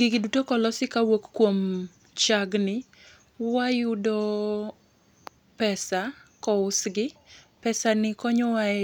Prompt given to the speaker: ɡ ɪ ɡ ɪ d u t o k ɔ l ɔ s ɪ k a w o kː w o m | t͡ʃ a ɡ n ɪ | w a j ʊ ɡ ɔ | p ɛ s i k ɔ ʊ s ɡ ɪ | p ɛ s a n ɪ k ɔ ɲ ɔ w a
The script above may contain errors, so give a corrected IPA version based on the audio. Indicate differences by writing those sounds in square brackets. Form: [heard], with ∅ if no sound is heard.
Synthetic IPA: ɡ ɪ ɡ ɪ d u t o k ɔ l ɔ s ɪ k a w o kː w o m | t͡ʃ a ɡ n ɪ | w a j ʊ [d] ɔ | p ɛ s [a] k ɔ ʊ s ɡ ɪ | p ɛ s a n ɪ k ɔ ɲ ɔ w a